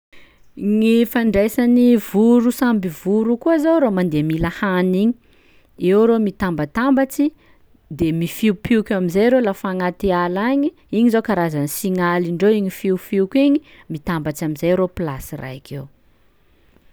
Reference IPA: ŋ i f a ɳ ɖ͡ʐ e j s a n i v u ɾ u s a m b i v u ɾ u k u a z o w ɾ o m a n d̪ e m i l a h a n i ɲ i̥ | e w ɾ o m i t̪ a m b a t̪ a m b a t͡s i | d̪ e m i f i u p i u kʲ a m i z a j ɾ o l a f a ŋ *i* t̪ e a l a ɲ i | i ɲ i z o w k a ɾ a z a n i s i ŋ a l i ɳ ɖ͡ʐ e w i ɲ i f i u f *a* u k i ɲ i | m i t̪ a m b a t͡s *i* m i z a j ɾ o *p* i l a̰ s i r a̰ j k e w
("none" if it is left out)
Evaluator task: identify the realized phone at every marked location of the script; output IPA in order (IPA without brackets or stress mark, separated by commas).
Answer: a, i, a, p